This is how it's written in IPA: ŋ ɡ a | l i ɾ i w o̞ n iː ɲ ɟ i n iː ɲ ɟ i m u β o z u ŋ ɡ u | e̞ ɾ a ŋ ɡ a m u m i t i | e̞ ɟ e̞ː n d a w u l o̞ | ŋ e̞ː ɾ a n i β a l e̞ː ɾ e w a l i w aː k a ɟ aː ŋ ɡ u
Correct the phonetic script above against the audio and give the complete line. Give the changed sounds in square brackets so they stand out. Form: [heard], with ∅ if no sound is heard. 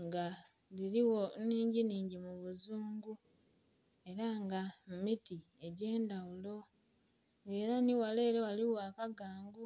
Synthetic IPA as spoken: ŋ ɡ a | l i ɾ i w o̞ n iː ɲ ɟ i n iː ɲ ɟ i m u β [u] z [uː] ŋ ɡ u | e̞ ɾ a ŋ ɡ a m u m i t i | e̞ ɟ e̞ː n d a w u l o̞ | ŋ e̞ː ɾ a n i [w] a l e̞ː ɾ e w a l i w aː k a [ɡ] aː ŋ ɡ u